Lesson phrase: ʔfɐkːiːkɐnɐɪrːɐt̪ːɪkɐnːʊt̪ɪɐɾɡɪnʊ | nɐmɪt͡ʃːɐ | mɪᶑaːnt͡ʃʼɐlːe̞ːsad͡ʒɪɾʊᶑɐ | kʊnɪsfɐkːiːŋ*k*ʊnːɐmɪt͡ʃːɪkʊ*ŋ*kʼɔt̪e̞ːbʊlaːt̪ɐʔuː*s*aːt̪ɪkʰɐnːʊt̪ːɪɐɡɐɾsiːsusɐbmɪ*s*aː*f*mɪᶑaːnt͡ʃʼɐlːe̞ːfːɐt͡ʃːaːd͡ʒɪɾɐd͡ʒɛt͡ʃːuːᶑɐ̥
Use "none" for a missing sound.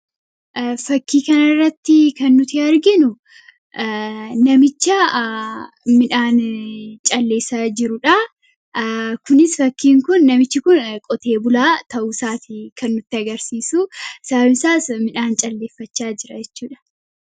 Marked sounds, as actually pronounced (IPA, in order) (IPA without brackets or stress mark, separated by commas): k, n, s, s, s